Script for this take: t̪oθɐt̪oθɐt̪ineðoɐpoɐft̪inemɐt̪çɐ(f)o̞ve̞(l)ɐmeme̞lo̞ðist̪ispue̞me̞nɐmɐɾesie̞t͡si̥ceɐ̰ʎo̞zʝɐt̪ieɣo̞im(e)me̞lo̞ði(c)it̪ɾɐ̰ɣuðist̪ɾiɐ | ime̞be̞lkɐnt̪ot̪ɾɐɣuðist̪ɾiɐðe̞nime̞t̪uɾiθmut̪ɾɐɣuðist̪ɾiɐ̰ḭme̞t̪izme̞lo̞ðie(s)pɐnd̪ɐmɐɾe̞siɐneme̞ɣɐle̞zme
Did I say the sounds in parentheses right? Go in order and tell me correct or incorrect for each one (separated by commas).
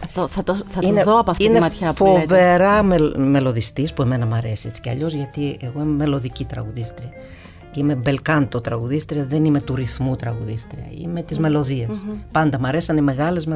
correct, incorrect, correct, correct, correct